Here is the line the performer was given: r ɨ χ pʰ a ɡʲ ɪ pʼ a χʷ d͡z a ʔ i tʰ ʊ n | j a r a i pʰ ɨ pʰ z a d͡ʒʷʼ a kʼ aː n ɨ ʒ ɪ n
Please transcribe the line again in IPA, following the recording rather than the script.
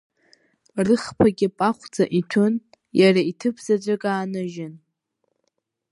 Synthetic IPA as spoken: r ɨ χ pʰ a ɡʲ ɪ pʼ a χʷ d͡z a ʔ i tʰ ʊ n | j a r a i tʰ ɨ pʰ z a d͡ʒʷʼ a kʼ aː n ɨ ʒ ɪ n